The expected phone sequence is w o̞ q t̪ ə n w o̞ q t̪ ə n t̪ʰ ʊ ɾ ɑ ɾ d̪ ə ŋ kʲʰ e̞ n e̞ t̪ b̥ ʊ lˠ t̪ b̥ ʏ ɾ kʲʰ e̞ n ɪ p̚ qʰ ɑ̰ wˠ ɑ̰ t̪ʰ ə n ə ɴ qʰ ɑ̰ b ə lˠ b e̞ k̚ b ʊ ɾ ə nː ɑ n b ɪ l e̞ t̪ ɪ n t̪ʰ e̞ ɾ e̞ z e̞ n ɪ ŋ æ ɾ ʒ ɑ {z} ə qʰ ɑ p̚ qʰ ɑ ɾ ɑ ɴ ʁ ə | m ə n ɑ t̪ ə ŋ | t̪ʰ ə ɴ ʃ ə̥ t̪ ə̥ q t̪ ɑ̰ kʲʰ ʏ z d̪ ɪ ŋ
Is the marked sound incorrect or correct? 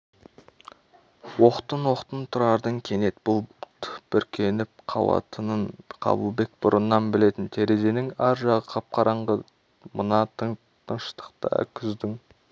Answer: incorrect